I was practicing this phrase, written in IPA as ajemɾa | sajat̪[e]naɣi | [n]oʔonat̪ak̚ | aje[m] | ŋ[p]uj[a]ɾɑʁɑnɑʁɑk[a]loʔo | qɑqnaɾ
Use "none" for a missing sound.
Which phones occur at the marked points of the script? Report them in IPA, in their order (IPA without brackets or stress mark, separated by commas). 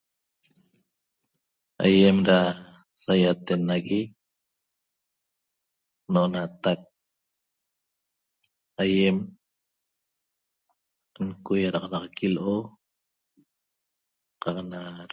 e, n, m, k, a, i